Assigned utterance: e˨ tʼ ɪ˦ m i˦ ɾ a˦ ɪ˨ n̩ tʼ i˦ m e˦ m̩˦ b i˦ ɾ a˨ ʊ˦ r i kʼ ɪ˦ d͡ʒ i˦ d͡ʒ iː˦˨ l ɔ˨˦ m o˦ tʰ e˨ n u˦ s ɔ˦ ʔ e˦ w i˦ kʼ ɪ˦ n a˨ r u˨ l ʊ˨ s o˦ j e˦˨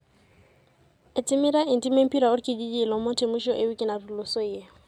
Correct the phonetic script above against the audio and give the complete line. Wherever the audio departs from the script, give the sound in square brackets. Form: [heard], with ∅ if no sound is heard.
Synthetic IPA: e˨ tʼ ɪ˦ m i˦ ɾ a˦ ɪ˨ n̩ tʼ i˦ m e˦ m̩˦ [p] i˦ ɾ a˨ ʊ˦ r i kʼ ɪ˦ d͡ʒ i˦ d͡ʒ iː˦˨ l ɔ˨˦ m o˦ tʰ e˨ [m] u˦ [ʃ] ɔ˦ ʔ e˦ w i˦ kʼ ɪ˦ n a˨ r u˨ l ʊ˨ s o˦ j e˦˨